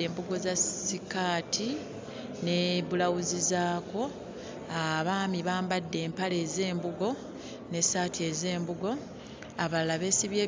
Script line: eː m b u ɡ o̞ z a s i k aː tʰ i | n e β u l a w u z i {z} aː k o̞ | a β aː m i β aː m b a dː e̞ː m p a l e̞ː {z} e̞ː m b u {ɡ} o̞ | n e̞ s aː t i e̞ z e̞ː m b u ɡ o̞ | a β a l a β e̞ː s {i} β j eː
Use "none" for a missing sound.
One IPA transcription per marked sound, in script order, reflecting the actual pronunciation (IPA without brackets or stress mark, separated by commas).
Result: z, z, ɡ, i